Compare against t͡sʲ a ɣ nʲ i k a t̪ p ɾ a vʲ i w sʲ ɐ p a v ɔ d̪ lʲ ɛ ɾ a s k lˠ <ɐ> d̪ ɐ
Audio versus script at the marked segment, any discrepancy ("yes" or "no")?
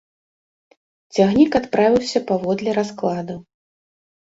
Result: yes